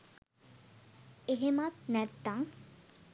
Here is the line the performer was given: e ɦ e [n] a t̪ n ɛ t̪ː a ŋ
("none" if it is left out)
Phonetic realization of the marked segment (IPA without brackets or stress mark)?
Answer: m